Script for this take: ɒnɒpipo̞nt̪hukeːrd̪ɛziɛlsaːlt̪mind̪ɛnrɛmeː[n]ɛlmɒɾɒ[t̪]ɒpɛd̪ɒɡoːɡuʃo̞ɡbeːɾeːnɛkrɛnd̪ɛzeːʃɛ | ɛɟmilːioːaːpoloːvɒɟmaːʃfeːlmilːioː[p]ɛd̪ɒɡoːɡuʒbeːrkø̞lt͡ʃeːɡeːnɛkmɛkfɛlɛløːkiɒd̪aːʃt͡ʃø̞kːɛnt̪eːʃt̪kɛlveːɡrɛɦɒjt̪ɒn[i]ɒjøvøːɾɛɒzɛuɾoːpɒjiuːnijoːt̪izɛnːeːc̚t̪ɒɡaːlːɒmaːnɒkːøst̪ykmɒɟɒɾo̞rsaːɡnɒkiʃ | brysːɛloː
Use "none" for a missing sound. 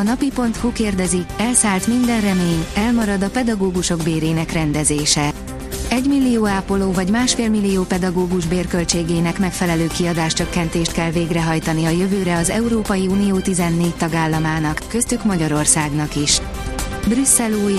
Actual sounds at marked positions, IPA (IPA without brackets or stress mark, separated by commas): ɲ, d̪, p, i